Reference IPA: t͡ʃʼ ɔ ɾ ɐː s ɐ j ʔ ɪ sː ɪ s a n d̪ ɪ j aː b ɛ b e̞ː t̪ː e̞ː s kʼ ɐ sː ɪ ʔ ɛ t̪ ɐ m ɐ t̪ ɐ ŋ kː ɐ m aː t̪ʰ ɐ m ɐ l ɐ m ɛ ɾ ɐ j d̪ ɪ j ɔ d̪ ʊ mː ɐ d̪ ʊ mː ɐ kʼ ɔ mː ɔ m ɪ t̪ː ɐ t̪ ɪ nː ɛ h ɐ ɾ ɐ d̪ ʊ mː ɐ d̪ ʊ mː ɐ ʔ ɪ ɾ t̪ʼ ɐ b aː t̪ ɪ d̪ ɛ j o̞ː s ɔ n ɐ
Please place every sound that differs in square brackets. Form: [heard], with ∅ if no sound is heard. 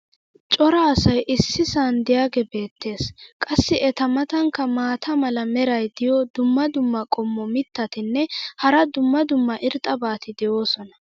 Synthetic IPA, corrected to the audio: t͡ʃʼ ɔ ɾ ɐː s ɐ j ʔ ɪ sː ɪ s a n d̪ ɪ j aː [ɡ] ɛ b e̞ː t̪ː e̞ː s kʼ ɐ sː ɪ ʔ ɛ t̪ ɐ m ɐ t̪ ɐ ŋ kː ɐ m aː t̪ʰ ɐ m ɐ l ɐ m ɛ ɾ ɐ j d̪ ɪ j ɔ d̪ ʊ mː ɐ d̪ ʊ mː ɐ kʼ ɔ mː ɔ m ɪ t̪ː ɐ t̪ ɪ nː ɛ h ɐ ɾ ɐ d̪ ʊ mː ɐ d̪ ʊ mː ɐ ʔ ɪ ɾ t̪ʼ ɐ b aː t̪ ɪ d̪ ɛ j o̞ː s ɔ n ɐ